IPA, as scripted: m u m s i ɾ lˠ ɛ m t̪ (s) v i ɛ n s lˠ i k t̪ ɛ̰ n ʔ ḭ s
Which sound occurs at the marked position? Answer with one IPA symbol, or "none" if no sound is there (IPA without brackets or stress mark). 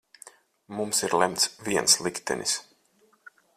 s